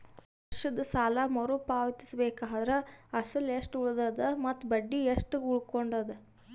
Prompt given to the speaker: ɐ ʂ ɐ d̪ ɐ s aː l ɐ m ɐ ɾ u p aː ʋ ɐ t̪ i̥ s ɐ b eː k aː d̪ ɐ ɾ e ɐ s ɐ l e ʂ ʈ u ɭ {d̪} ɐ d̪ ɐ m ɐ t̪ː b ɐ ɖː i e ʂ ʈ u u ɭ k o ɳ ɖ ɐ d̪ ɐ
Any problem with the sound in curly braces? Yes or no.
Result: no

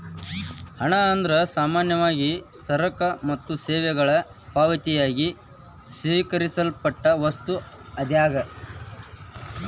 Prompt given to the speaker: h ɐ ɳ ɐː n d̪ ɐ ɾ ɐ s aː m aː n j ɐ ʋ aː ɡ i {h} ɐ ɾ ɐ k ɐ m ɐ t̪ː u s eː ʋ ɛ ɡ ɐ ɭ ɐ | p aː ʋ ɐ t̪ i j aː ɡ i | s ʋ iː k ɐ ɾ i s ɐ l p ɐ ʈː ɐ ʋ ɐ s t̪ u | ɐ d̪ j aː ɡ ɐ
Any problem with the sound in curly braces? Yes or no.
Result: yes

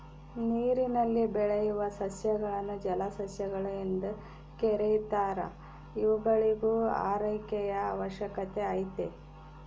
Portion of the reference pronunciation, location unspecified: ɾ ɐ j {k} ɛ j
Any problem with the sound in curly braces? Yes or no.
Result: no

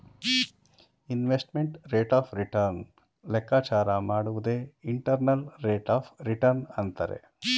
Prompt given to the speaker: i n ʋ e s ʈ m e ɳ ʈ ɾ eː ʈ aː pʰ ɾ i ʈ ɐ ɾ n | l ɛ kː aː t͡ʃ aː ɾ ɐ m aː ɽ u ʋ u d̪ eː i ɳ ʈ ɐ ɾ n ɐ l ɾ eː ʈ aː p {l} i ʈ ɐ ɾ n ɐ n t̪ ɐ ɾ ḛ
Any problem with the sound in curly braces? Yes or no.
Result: yes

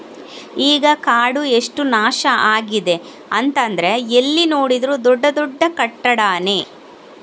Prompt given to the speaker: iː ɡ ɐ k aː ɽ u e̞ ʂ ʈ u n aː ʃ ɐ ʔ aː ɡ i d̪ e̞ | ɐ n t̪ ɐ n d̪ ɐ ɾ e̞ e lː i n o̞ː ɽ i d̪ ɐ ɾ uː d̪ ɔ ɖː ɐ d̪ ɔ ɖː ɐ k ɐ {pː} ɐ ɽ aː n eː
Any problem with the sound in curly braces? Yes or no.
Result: yes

